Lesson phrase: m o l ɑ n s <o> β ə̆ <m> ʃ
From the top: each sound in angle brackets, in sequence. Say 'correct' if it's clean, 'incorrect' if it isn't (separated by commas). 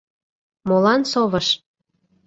correct, incorrect